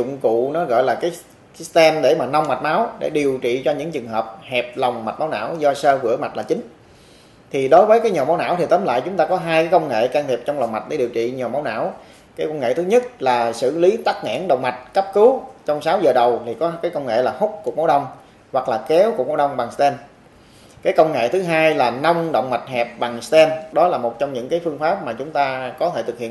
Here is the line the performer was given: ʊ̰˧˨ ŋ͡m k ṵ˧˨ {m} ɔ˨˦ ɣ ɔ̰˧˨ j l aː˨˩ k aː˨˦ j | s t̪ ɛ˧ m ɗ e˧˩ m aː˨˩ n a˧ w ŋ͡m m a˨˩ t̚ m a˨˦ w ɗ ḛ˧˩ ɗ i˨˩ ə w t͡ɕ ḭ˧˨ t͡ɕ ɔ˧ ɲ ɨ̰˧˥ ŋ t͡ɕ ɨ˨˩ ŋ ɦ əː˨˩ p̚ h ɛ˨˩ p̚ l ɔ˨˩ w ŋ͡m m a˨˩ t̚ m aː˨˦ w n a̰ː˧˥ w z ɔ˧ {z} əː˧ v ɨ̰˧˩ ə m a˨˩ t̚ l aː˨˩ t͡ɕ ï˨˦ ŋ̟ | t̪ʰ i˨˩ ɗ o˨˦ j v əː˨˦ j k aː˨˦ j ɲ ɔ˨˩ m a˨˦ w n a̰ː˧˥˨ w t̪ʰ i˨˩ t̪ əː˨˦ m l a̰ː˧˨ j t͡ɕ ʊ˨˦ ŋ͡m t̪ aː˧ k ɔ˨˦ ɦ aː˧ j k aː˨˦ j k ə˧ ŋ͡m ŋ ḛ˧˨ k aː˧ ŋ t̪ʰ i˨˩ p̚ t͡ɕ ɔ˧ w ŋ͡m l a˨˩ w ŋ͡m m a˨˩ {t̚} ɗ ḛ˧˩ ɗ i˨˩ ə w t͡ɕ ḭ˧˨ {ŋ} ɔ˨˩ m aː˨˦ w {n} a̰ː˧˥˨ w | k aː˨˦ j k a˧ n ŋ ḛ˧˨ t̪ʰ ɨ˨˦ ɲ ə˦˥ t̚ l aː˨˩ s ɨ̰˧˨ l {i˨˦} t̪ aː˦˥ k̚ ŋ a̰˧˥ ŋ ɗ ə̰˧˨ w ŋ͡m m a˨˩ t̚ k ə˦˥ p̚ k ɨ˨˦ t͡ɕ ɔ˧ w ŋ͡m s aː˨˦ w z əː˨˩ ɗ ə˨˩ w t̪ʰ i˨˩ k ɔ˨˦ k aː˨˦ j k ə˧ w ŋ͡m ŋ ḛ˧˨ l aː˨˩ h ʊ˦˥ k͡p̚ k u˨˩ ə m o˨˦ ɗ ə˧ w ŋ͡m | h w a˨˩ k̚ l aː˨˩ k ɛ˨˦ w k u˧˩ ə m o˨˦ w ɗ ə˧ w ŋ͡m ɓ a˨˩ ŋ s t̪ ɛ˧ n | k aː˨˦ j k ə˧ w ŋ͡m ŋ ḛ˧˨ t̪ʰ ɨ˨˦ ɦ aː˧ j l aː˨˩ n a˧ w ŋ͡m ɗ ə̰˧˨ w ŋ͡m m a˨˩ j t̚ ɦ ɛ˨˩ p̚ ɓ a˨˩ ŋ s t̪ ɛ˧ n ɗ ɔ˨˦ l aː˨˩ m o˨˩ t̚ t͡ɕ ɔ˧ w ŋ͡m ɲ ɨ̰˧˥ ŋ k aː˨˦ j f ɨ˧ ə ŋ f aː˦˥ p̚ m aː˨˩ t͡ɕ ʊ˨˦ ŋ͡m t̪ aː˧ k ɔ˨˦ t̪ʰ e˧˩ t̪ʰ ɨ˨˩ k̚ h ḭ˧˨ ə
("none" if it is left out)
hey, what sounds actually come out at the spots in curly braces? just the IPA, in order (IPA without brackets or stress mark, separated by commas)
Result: n, s, t̚, ɲ, n, i˨˦